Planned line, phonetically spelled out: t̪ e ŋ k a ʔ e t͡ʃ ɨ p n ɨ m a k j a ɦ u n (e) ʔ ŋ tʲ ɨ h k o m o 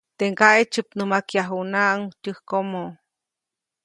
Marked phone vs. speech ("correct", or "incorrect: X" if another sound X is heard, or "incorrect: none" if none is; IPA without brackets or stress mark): incorrect: a